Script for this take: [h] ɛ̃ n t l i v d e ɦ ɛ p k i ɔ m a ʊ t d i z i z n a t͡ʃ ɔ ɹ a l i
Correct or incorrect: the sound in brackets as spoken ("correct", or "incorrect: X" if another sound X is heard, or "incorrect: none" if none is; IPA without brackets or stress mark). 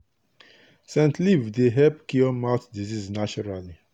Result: incorrect: s